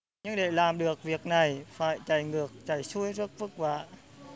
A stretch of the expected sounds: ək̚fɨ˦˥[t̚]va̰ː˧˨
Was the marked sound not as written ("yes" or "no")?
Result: yes